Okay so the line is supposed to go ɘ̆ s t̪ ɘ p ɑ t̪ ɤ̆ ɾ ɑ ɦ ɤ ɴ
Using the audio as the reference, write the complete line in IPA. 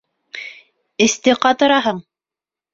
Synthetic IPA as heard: ɘ̆ s t̪ ɘ q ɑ t̪ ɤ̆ ɾ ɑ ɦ ɤ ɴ